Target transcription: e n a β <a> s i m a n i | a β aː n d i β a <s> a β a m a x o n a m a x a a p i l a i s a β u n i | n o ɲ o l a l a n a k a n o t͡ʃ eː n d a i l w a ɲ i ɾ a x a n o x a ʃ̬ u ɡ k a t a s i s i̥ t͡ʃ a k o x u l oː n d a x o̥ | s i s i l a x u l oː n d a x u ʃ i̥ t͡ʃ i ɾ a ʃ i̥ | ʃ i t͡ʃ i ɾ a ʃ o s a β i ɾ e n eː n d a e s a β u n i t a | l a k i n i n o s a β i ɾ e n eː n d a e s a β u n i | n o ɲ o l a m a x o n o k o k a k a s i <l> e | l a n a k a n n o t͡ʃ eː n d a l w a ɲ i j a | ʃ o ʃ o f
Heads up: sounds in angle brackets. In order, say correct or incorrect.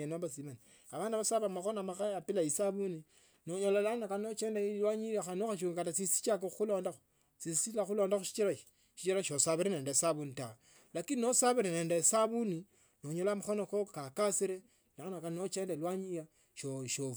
correct, correct, incorrect: ɾ

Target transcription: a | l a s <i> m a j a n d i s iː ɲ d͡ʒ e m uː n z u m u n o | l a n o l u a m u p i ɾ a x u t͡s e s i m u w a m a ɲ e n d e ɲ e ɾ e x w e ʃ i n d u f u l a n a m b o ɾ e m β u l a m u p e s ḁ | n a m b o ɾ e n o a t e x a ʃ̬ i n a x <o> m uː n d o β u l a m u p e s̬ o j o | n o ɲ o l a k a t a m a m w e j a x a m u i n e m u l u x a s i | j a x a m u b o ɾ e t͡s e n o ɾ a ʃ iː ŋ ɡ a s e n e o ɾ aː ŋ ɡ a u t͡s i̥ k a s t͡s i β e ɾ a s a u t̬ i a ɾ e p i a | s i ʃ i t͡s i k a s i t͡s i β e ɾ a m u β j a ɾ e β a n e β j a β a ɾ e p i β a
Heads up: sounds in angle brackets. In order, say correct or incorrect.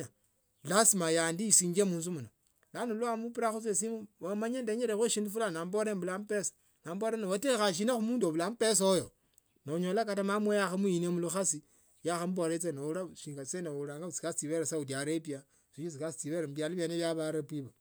correct, incorrect: u

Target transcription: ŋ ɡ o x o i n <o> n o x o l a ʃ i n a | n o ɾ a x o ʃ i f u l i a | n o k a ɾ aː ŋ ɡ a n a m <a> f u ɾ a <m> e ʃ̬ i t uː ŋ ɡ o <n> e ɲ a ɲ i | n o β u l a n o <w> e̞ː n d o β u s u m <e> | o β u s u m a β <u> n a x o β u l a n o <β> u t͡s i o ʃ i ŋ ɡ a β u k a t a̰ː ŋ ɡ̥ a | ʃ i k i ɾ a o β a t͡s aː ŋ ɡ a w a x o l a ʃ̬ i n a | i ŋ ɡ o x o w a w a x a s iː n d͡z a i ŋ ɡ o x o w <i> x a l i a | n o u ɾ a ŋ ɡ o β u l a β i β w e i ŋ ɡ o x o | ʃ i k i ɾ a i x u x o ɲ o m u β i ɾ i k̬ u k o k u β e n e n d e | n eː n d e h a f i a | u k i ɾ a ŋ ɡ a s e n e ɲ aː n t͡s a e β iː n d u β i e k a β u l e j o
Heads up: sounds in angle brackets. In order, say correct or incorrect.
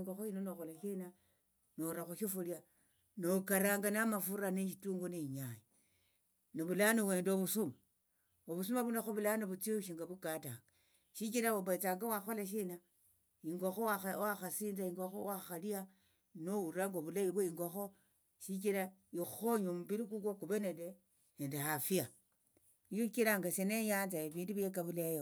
correct, correct, incorrect: n, correct, correct, incorrect: a, correct, correct, incorrect: a

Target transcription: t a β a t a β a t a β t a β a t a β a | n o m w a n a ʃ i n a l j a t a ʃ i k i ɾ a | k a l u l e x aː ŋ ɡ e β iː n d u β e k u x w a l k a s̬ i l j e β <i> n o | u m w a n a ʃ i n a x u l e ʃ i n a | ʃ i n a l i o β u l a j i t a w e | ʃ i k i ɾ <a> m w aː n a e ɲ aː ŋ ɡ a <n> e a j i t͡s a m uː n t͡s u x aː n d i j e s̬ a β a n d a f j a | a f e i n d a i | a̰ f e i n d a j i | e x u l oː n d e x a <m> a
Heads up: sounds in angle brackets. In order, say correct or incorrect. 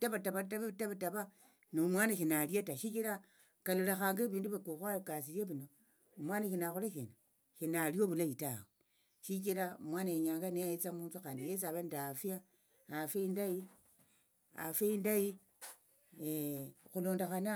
correct, correct, correct, incorrect: n

